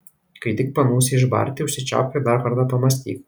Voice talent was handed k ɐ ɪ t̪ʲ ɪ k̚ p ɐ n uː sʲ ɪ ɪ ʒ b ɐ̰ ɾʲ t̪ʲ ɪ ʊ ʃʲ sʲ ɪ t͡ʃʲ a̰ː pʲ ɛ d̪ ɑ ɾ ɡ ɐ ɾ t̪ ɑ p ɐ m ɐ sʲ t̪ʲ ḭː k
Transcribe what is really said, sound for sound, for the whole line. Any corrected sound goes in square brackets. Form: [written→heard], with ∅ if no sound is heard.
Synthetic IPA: k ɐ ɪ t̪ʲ ɪ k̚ p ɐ n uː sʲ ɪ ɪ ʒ b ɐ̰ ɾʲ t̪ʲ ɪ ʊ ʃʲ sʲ ɪ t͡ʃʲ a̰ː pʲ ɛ d̪ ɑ ɾ [ɡ→k] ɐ ɾ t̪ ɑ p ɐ m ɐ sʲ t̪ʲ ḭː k